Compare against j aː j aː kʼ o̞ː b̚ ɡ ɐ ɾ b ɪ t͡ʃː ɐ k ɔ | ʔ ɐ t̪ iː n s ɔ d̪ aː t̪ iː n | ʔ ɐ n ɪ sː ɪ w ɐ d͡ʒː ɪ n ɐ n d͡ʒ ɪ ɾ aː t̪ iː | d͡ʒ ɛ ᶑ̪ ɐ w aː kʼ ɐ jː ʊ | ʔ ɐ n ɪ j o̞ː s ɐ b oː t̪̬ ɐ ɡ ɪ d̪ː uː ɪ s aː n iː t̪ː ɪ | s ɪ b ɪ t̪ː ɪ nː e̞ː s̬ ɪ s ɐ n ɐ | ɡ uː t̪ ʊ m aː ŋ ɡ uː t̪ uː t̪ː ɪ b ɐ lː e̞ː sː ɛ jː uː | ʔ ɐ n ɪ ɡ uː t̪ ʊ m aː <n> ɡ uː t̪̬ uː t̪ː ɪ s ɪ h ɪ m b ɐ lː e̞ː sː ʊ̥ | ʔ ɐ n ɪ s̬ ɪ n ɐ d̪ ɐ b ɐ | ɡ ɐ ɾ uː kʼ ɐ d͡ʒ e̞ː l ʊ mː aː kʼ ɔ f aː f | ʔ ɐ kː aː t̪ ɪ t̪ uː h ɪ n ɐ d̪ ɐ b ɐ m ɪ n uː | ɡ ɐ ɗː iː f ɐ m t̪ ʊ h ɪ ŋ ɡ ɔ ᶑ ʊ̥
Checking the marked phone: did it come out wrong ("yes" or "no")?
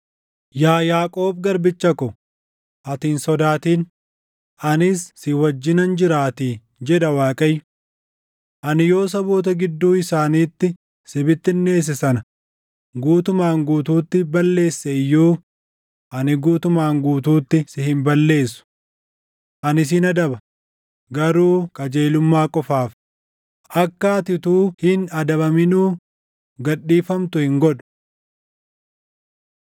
yes